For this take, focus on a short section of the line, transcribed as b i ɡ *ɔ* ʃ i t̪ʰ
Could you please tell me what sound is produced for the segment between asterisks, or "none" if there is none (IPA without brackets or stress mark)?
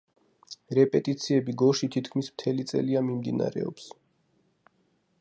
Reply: ɔ